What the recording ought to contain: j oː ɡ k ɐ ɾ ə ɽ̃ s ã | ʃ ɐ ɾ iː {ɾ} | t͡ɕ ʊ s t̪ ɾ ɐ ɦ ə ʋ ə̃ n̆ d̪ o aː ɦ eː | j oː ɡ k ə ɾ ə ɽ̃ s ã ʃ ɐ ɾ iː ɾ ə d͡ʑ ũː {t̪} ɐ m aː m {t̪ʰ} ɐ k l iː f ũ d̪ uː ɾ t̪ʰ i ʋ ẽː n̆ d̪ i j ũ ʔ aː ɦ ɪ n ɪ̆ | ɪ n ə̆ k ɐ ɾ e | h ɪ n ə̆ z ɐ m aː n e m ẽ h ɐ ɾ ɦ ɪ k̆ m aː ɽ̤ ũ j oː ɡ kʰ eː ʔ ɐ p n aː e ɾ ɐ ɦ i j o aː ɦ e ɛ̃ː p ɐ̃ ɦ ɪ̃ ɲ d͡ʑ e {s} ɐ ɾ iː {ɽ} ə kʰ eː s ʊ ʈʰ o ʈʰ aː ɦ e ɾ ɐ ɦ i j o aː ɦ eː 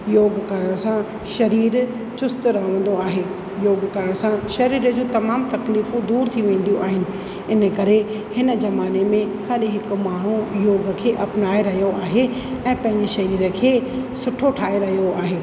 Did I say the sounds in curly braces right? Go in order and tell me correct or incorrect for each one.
correct, correct, incorrect, incorrect, incorrect

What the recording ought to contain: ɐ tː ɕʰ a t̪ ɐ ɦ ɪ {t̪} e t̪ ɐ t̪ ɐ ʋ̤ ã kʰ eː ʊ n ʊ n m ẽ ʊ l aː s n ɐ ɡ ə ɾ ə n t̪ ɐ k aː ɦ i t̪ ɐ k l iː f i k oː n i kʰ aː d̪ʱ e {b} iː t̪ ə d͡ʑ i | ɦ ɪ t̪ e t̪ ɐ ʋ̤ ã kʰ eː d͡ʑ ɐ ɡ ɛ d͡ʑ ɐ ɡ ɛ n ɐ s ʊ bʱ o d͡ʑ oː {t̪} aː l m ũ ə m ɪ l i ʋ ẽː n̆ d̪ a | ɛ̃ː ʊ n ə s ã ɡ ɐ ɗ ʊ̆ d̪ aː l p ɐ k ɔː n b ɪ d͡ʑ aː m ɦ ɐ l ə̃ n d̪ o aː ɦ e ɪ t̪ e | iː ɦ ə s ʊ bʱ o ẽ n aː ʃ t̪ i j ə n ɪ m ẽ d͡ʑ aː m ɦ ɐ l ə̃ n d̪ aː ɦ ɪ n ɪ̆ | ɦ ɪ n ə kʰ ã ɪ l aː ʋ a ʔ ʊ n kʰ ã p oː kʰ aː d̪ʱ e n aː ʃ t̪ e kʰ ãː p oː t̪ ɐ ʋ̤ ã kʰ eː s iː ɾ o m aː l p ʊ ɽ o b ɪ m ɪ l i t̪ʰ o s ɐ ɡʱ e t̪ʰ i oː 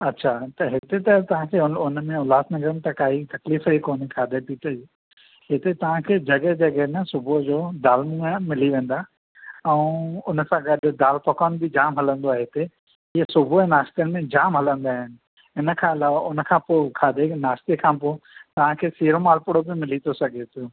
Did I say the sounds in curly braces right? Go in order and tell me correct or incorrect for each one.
correct, incorrect, incorrect

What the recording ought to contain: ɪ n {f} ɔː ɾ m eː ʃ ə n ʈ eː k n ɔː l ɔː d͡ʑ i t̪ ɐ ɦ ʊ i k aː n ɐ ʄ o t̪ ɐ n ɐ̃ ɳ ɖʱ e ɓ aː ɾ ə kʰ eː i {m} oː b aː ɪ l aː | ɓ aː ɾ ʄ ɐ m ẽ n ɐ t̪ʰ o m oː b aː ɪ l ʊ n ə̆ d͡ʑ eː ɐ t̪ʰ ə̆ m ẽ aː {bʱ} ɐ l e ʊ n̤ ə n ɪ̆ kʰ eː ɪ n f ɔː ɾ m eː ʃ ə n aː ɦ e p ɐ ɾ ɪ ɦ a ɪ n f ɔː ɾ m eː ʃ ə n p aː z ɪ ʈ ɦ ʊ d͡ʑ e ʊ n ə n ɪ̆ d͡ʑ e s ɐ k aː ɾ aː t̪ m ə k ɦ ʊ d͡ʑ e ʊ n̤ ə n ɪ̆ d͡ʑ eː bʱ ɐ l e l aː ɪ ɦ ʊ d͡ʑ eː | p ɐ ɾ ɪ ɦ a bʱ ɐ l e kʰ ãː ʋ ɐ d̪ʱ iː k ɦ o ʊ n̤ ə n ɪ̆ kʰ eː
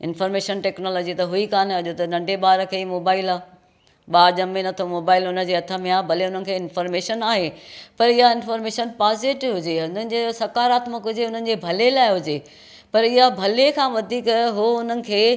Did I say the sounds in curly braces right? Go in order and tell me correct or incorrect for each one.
correct, correct, correct

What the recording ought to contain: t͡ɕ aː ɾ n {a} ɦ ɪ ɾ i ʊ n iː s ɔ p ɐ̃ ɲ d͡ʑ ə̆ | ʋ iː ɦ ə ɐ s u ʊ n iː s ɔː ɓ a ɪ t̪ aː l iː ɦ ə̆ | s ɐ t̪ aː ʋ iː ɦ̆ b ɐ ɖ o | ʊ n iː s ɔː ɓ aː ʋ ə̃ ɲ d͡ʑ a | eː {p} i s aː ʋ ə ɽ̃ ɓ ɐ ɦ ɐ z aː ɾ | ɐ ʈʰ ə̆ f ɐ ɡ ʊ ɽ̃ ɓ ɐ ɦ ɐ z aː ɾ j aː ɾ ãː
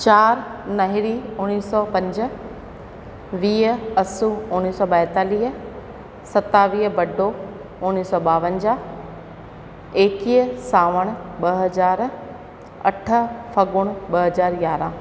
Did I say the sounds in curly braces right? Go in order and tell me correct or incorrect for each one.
incorrect, incorrect

